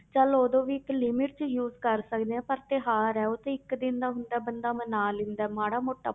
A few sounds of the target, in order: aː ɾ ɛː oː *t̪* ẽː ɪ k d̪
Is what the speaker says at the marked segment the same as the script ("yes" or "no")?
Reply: yes